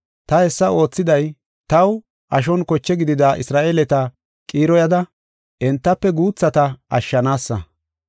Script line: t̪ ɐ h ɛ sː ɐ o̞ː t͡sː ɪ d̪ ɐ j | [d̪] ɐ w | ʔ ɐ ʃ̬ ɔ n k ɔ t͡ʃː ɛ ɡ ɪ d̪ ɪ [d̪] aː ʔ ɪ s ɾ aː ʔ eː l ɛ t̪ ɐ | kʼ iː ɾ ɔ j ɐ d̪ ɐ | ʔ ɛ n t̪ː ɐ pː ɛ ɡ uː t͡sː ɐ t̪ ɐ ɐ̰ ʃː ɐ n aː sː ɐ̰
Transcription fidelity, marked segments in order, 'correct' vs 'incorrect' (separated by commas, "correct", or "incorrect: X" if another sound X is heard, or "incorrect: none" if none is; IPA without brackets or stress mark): incorrect: t̪, correct